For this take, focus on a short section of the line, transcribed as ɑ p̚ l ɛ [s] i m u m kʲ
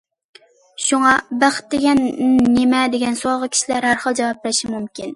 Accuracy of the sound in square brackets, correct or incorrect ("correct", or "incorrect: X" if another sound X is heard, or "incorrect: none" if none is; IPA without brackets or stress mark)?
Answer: incorrect: ʃ